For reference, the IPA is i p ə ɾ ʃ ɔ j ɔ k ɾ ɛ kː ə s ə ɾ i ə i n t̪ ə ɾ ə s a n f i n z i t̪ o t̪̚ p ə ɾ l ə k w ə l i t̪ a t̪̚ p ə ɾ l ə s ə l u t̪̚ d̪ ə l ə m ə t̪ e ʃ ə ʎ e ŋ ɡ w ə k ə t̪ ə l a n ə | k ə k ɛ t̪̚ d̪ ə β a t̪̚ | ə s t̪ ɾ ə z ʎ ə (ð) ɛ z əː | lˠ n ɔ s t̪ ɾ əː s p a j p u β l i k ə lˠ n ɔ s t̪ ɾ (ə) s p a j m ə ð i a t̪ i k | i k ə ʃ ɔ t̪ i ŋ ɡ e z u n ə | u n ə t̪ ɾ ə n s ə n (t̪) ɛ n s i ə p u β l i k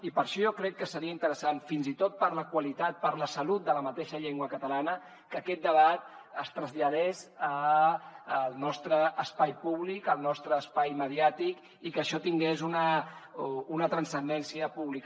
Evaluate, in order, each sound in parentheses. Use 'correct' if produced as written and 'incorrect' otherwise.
correct, incorrect, incorrect

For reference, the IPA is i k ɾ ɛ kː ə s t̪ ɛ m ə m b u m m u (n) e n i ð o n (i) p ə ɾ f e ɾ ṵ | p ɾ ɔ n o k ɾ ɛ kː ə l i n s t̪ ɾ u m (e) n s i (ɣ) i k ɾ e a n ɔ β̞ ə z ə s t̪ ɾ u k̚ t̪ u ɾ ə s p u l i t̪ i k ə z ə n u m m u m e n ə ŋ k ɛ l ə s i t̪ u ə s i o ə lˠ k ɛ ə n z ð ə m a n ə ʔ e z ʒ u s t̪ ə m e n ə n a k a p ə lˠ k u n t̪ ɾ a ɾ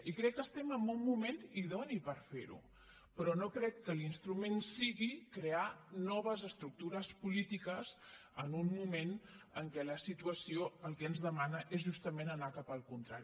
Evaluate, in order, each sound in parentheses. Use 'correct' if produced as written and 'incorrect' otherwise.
incorrect, correct, correct, correct

